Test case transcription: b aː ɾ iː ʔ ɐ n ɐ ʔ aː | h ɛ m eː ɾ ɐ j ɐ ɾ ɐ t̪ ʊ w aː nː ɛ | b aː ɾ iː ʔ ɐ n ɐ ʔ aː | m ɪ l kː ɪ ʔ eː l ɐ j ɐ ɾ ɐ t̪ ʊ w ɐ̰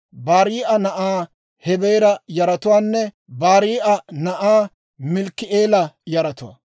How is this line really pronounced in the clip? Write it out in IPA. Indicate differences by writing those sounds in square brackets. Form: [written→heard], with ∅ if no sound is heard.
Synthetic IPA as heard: b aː ɾ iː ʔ ɐ n ɐ ʔ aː | h ɛ [m→b] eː ɾ ɐ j ɐ ɾ ɐ t̪ ʊ w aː nː ɛ | b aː ɾ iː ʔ ɐ n ɐ ʔ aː | m ɪ l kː ɪ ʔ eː l ɐ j ɐ ɾ ɐ t̪ ʊ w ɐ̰